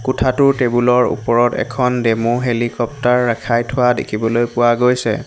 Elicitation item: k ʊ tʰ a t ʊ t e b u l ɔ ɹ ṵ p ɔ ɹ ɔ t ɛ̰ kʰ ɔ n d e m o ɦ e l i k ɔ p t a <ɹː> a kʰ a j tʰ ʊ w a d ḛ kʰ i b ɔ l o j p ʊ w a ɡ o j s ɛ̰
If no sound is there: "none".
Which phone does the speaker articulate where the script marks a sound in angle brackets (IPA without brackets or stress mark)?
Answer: ɹː